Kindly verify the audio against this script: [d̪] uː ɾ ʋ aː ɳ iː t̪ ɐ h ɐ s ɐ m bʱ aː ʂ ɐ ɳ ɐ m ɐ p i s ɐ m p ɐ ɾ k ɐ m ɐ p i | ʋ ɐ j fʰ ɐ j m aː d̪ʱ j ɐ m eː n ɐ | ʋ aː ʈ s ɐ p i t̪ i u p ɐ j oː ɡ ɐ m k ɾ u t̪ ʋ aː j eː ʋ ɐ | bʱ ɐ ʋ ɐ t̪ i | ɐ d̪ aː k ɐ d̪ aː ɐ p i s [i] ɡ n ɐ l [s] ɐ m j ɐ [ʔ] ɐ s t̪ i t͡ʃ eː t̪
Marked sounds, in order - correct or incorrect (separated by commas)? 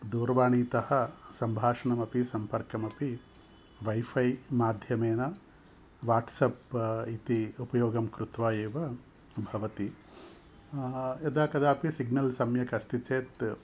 correct, correct, correct, incorrect